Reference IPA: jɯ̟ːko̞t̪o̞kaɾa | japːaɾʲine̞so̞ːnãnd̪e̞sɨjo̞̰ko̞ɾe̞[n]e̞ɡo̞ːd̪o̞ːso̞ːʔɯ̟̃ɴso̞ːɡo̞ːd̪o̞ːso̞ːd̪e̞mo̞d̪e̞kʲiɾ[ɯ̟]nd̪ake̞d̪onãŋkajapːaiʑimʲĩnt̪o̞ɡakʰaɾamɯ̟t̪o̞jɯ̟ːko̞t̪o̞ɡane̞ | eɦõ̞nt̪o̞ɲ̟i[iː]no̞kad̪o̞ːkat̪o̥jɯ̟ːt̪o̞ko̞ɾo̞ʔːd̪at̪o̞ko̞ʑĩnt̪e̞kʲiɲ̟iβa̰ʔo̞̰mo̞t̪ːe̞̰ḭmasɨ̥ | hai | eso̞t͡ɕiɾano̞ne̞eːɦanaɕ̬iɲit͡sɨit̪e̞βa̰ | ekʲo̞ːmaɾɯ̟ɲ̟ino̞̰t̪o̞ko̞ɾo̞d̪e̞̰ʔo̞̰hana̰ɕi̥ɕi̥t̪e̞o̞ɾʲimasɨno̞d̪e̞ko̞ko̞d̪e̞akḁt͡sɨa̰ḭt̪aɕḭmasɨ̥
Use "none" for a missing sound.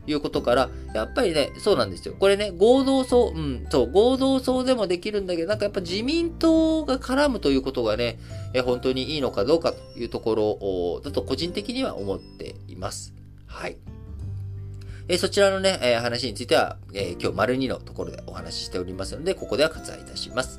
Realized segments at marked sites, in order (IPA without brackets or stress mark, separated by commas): n, ɯ̟̃, iː